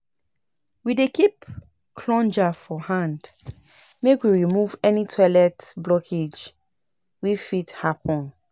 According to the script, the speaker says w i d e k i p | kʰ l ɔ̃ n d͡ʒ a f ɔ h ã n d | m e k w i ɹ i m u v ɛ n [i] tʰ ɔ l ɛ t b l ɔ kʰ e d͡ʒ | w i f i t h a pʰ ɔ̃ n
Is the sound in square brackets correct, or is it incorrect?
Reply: correct